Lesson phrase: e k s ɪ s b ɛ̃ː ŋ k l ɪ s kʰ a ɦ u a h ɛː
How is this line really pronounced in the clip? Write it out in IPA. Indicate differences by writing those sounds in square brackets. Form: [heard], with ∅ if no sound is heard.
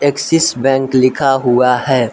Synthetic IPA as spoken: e k s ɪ s b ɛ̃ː ŋ k l ɪ [∅] kʰ a ɦ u a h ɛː